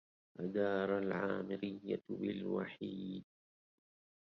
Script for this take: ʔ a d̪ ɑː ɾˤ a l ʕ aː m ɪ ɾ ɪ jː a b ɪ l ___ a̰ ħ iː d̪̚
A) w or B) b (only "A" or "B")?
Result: A